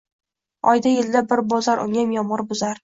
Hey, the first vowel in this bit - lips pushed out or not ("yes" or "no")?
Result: yes